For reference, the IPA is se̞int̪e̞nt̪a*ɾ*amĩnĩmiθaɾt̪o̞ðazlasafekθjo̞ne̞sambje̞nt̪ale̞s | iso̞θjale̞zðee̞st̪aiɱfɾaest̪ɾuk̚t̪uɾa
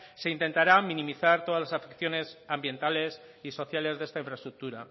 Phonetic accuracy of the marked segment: correct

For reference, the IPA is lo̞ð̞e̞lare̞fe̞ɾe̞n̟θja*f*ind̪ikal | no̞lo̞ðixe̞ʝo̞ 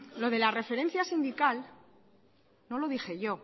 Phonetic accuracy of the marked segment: incorrect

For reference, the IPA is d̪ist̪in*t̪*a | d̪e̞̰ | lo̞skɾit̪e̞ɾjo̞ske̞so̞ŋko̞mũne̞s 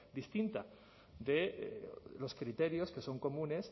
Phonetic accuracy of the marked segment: correct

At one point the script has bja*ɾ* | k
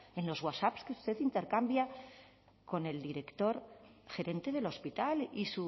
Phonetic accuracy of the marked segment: incorrect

